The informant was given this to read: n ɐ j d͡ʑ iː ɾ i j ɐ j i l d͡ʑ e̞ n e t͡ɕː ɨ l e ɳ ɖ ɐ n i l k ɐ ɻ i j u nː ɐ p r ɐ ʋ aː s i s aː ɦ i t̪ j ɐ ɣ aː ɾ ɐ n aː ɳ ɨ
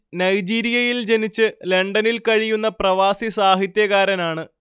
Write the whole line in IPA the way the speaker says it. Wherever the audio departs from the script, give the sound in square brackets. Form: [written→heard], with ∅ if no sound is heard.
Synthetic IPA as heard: n ɐ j d͡ʑ iː ɾ i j ɐ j i l d͡ʑ e̞ n [e→i] t͡ɕː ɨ l e ɳ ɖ ɐ n i l k ɐ ɻ i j u nː ɐ p r ɐ ʋ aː s i s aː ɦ i t̪ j ɐ ɣ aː ɾ ɐ n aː ɳ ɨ